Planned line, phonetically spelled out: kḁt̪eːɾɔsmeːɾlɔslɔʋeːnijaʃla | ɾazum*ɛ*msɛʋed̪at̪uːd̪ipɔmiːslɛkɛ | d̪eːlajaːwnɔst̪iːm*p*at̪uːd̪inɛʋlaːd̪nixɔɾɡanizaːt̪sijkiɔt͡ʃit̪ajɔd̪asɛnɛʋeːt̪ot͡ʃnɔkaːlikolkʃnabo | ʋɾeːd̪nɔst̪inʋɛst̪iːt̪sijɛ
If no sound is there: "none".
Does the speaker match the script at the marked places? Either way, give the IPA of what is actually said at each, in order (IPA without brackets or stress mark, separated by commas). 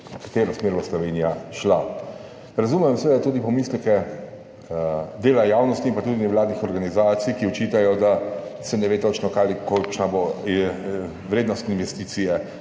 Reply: ɛ, p